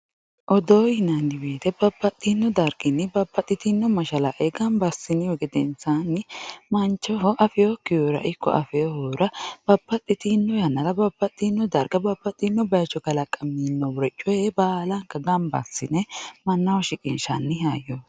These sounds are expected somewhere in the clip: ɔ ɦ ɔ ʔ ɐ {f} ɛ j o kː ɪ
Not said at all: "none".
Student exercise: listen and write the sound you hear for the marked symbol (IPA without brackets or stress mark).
f